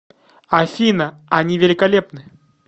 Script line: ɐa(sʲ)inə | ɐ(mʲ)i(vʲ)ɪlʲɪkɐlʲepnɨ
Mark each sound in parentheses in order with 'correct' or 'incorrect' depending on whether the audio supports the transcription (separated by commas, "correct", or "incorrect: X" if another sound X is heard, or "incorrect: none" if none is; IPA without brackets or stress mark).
incorrect: fʲ, incorrect: nʲ, correct